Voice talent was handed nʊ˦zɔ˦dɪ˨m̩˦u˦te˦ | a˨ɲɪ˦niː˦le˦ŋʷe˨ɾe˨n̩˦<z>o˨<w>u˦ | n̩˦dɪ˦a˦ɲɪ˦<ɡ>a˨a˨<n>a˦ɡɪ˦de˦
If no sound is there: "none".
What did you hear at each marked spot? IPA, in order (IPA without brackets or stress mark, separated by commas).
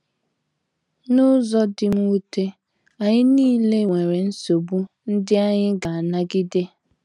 s, b, ɡ, n